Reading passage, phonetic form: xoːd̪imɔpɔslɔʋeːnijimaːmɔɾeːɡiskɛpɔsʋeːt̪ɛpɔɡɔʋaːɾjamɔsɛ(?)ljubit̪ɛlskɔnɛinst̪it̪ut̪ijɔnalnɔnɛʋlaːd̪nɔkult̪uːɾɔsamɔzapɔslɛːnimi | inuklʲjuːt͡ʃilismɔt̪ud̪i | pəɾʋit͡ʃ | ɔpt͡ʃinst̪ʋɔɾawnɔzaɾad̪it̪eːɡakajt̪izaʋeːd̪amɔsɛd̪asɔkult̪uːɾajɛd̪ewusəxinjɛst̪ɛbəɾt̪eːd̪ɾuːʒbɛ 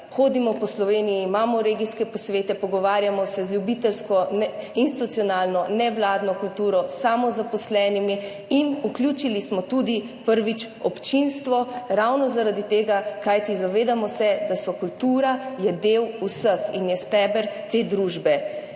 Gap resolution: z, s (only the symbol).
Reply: z